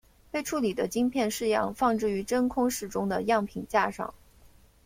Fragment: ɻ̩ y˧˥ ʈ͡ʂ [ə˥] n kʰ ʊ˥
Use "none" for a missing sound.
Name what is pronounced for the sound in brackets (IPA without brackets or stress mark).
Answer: ə˥